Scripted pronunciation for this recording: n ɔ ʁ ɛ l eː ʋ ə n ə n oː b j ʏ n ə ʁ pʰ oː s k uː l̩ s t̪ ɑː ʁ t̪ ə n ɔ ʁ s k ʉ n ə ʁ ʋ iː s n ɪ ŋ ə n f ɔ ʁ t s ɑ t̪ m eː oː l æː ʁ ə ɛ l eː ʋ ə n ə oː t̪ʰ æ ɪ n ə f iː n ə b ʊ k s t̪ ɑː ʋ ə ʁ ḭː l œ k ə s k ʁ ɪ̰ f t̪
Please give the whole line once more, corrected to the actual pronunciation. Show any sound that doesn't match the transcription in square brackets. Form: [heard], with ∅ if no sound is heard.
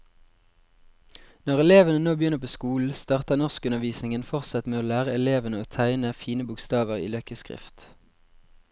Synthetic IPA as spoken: n ɔ ʁ ɛ l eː ʋ ə n ə n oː b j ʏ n ə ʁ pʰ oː s k uː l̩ s t̪ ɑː ʁ t̪ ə n ɔ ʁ s k ʉ n ə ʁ ʋ iː s n ɪ ŋ ə n f ɔ ʁ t s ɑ t̪ m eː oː l æː ʁ ə ɛ l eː ʋ ə n ə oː t̪ʰ æ ɪ n ə f iː n ə b ʊ k s t̪ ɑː ʋ ə ʁ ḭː l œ k ə s k ʁ ɪ̰ f t̪